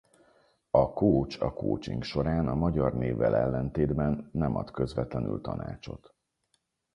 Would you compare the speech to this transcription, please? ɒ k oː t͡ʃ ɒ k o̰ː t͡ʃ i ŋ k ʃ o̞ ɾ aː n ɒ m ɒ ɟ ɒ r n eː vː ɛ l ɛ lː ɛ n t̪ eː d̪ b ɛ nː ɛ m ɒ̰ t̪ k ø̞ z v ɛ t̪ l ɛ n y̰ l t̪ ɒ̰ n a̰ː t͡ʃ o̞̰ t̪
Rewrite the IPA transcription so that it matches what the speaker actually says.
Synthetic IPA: ɒ k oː t͡ʃ ɒ k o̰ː t͡ʃ i ŋ k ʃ o̞ ɾ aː n ɒ m ɒ ɟ ɒ r n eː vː ɛ l ɛ lː ɛ n t̪ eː d̪ b ɛ nː ɛ m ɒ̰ t̪ k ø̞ z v ɛ t̪ l ɛ n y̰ l t̪ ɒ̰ n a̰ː t͡ʃ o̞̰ t̪